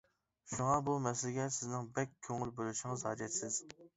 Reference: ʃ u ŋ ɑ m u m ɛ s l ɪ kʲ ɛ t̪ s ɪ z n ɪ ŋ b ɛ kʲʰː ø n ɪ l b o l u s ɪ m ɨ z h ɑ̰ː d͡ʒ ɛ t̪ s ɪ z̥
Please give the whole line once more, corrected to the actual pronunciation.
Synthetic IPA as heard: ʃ u ŋ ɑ b u m ɛ s l ɪ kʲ ɛ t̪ s ɪ z n ɪ ŋ b ɛ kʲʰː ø ŋ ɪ l b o l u ʃ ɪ ŋ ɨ z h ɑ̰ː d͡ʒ ɛ t̪ s ɪ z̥